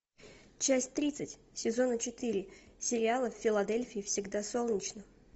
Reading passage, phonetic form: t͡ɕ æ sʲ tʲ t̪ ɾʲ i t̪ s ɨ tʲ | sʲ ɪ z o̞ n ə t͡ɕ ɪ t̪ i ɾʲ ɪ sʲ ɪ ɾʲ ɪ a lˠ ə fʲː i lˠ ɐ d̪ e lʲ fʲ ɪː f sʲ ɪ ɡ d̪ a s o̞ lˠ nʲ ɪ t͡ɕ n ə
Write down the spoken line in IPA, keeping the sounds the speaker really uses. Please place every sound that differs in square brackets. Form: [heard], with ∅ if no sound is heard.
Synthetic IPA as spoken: t͡ɕ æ sʲ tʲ t̪ ɾʲ i t̪ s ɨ tʲ | sʲ ɪ z o̞ n ə t͡ɕ ɪ t̪ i ɾʲ ɪ sʲ ɪ ɾʲ ɪ a lˠ ə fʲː [ɪ] lˠ ɐ d̪ e lʲ fʲ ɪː f sʲ ɪ ɡ d̪ a s o̞ lˠ nʲ ɪ t͡ɕ n ə

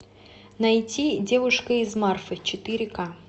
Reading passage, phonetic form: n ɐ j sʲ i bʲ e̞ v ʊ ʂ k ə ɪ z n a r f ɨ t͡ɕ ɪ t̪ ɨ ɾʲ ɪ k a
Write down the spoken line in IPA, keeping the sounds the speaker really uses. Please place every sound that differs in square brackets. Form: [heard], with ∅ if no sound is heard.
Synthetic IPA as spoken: n ɐ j [tʲ] i [dʲ] e̞ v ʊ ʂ k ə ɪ z [m] a r f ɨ t͡ɕ ɪ t̪ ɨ ɾʲ ɪ k a

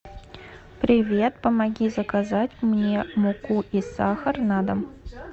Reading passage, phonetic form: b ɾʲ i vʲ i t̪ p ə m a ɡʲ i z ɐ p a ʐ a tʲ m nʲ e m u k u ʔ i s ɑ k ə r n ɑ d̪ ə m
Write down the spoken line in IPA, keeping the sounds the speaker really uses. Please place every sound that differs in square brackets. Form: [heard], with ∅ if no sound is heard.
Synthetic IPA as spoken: [p] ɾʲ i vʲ [e] t̪ p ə m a ɡʲ i z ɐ [k] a [z] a tʲ m nʲ e m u k u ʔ i s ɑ [x] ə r n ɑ d̪ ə m

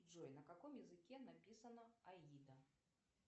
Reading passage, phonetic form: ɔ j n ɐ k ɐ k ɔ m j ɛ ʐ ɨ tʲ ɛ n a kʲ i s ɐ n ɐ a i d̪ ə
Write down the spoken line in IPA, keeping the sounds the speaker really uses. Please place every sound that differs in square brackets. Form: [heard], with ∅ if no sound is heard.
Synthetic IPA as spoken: ɔ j n ɐ k [a] k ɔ m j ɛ [z] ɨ [kʲ] ɛ n a [pʲ] i s ɐ n ɐ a i d̪ [ɐ]

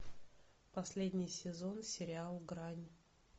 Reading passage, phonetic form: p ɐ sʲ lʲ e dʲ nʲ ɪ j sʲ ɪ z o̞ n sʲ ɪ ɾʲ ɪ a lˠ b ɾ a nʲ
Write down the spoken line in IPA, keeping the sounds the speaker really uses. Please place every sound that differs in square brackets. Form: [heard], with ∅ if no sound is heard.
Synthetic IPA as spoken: p ɐ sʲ lʲ e dʲ nʲ ɪ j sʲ ɪ z o̞ n sʲ ɪ ɾʲ ɪ a lˠ [ɡ] ɾ a nʲ

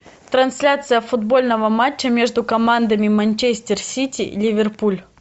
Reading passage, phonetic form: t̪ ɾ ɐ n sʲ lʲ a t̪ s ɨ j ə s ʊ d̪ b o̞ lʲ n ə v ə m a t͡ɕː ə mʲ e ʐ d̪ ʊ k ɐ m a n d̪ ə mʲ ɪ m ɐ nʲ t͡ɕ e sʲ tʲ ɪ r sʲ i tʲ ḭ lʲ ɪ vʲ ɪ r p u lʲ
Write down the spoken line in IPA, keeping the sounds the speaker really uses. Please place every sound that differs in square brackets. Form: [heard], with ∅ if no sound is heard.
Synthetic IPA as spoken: t̪ ɾ ɐ n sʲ lʲ a t̪ s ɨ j ə [f] ʊ d̪ b o̞ lʲ n ə v ə m a t͡ɕː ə mʲ e ʐ d̪ ʊ k ɐ m a n d̪ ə mʲ ɪ m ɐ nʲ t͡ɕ e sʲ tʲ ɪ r sʲ i tʲ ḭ lʲ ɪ vʲ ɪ r p u lʲ

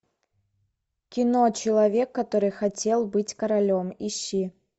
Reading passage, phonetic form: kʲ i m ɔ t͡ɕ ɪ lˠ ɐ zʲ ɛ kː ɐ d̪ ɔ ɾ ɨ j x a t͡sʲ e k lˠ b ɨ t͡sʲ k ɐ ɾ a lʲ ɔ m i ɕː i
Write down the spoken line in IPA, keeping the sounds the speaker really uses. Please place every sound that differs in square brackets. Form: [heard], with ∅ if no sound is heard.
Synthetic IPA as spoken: kʲ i [n] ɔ t͡ɕ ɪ lˠ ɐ [vʲ] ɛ kː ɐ [t̪] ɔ ɾ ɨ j x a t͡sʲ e [∅] lˠ b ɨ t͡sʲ k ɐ ɾ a lʲ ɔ m i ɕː i

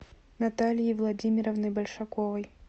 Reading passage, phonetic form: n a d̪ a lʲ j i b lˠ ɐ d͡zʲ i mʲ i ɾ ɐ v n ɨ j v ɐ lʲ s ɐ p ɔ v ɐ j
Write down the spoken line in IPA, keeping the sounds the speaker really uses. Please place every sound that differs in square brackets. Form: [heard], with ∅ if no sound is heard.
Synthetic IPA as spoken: n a [t̪] a lʲ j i [v] lˠ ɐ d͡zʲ i mʲ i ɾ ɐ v n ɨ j [b] ɐ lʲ [ʂ] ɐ [k] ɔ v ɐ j

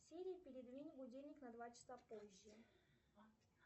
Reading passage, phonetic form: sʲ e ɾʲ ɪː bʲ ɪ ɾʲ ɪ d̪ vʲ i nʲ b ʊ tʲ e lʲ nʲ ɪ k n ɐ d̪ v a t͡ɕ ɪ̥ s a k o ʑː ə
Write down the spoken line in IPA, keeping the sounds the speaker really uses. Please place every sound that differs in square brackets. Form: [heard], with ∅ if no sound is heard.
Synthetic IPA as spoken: sʲ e ɾʲ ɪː [pʲ] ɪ ɾʲ ɪ d̪ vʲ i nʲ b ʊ [dʲ] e lʲ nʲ ɪ k n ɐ d̪ v a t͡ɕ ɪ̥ s a [p] o ʑː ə

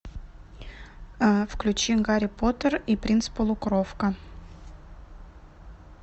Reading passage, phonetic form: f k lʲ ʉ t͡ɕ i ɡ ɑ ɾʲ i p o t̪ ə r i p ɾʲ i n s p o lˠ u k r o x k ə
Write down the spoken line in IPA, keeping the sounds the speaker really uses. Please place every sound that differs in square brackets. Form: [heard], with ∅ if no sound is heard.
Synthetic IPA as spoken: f k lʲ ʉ t͡ɕ i ɡ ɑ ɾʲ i p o t̪ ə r i p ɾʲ i n s p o lˠ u k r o [f] k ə

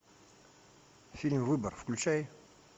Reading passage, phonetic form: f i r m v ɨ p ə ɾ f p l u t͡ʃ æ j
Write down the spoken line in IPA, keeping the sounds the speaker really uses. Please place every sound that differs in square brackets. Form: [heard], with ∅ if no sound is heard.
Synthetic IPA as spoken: f i [l] m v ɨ [b] ə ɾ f [k] l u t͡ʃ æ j

